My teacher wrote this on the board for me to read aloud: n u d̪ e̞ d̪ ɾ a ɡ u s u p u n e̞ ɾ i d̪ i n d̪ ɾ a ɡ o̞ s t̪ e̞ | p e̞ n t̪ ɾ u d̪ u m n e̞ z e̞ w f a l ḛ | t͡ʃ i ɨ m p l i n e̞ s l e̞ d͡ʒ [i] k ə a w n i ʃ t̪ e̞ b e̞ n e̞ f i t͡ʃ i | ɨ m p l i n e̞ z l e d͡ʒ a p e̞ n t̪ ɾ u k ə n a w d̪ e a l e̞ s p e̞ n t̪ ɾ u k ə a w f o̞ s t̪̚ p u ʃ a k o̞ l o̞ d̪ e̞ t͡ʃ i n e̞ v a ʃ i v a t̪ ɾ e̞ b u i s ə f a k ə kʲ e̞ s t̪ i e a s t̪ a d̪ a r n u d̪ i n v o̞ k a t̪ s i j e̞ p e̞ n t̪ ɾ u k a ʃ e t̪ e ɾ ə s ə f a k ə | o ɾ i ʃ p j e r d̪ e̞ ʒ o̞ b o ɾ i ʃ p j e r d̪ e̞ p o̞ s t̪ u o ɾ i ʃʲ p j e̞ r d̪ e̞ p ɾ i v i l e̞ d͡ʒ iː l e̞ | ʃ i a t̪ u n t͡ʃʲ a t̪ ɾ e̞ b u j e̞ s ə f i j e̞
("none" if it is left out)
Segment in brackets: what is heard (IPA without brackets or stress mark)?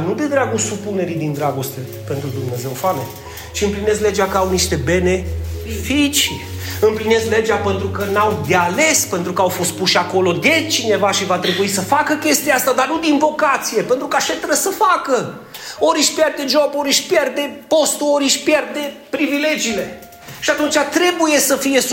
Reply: a